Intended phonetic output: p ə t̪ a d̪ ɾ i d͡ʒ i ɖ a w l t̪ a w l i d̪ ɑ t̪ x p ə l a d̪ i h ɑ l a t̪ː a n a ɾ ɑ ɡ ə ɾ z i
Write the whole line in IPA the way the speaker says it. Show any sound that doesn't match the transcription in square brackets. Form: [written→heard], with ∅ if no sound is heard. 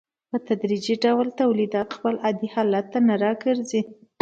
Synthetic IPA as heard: p ə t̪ a d̪ ɾ i d͡ʒ i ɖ a w l t̪ a w l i d̪ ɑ t̪ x p ə l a d̪ i h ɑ l a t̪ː a n a ɾ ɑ ɡ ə ɾ z i